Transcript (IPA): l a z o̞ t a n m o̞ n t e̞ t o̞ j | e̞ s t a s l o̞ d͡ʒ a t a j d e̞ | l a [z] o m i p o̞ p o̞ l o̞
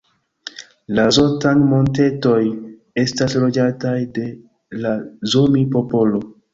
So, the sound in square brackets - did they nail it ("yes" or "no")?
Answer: yes